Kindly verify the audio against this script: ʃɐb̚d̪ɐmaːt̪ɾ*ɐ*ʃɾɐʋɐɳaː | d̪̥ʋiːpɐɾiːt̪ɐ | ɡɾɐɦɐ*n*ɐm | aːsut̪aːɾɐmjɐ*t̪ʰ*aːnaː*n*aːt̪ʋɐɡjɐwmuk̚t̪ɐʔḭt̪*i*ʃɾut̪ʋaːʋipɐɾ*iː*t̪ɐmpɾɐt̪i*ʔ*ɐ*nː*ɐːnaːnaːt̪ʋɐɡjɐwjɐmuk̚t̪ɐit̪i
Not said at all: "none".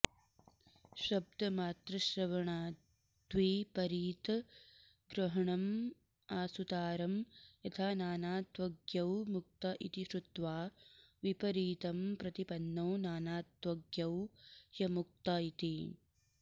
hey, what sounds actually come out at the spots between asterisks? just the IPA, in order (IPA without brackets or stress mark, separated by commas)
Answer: ɐ, ɳ, t̪ʰ, n, i, iː, p, nː